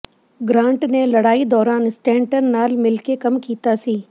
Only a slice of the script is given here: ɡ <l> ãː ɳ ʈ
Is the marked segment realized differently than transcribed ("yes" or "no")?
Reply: yes